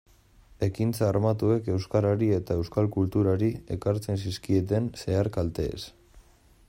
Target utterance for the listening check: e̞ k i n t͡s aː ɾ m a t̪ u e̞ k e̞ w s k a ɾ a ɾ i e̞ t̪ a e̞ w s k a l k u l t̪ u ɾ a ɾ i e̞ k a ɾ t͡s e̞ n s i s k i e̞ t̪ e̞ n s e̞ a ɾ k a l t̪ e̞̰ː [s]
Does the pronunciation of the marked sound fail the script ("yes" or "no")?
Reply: no